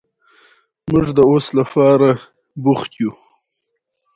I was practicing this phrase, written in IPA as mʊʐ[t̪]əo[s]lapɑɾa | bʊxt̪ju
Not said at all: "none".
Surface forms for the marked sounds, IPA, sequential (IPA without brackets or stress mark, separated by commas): d̪, s